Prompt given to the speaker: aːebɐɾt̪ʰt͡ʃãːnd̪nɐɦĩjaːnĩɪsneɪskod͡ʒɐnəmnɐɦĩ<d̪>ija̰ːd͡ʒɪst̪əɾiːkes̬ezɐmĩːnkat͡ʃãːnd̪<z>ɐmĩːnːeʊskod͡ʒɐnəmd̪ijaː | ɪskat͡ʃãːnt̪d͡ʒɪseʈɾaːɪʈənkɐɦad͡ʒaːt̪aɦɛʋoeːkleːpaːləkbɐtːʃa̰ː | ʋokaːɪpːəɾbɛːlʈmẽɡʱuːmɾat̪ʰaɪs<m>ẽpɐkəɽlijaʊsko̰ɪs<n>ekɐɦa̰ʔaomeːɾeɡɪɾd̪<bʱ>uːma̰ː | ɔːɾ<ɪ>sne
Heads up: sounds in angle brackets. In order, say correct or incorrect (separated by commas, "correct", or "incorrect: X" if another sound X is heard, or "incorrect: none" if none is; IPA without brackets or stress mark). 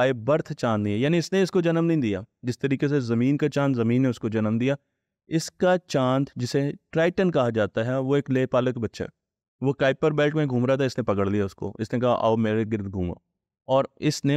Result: correct, correct, incorrect: n, correct, incorrect: ɡʱ, correct